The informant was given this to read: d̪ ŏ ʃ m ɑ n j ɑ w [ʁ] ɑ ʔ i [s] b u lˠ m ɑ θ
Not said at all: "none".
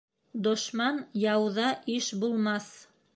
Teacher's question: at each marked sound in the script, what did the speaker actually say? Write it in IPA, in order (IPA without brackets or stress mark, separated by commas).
ð, ʃ